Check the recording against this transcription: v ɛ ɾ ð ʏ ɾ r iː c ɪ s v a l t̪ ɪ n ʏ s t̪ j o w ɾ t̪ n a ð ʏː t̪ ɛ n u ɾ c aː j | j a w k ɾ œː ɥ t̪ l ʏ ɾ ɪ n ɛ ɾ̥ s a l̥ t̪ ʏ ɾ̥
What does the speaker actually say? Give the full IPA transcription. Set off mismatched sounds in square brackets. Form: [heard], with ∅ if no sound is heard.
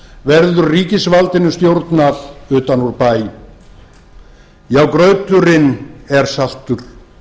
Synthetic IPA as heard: v ɛ ɾ ð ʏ ɾ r iː c ɪ s v a l t̪ ɪ n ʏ s t̪ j o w ɾ t̪ n a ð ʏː t̪ [a] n u ɾ [p] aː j | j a w k ɾ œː ɥ t̪ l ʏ ɾ ɪ n ɛ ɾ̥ s a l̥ t̪ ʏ ɾ̥